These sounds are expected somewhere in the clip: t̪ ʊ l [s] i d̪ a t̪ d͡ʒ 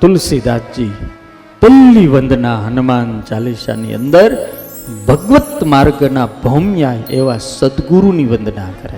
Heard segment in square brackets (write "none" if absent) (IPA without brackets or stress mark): s